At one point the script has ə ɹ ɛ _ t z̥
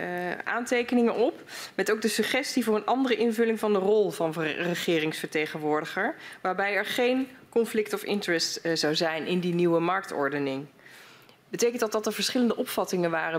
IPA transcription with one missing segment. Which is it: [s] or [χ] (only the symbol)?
s